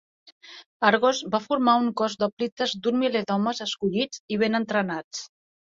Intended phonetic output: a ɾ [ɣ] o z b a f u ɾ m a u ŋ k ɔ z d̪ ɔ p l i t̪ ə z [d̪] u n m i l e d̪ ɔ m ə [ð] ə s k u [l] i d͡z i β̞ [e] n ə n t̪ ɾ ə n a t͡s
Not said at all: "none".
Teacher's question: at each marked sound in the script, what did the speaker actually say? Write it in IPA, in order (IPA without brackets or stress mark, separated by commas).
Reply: ɣ, d̪, z, ʎ, e